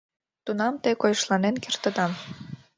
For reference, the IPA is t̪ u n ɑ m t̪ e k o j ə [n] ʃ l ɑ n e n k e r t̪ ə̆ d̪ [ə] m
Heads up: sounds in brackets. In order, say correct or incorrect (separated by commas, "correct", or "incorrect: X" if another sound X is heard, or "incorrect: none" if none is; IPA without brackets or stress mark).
incorrect: none, incorrect: ɑ